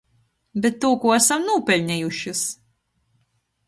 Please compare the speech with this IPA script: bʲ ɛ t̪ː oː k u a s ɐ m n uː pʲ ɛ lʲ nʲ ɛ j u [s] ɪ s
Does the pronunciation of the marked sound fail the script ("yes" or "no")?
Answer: yes